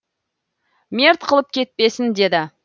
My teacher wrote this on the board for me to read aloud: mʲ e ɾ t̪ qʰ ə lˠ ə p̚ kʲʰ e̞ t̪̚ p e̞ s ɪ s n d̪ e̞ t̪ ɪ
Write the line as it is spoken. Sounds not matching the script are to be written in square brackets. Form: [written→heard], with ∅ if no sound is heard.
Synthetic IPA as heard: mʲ e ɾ t̪ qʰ ə lˠ ə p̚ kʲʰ e̞ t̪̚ p e̞ s ɪ [s→∅] n d̪ e̞ [t̪→d̪] ɪ